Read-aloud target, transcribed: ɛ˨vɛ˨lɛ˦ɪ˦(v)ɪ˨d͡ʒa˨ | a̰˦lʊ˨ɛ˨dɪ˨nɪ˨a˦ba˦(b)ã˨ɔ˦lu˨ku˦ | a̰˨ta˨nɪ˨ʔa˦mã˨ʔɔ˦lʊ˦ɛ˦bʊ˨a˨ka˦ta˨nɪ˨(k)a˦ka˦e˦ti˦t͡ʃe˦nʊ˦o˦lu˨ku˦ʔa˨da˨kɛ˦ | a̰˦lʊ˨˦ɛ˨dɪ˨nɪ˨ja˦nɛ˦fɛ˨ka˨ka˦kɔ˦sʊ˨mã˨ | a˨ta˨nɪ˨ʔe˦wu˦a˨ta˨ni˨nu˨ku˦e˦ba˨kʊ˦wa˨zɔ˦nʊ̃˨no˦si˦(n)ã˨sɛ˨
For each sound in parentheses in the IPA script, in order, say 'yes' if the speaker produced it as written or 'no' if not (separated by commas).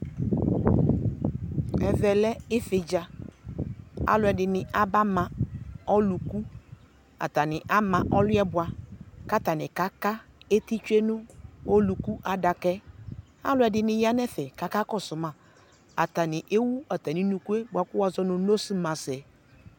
no, no, yes, no